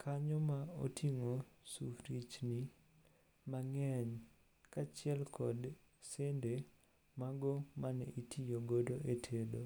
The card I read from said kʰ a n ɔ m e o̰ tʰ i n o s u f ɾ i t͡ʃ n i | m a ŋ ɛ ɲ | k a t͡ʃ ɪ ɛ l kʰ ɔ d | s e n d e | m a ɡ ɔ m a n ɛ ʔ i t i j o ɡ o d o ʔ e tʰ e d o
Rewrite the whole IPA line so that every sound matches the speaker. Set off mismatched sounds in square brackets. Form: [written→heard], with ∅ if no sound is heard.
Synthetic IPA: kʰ a [n→ɲ] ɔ m [e→a] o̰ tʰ i [n→ŋ] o s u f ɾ i t͡ʃ n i | m a ŋ ɛ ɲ | k a t͡ʃ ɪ ɛ l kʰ ɔ d | s e n d e | m a ɡ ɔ m a n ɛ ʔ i t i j o ɡ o d o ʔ e tʰ e d o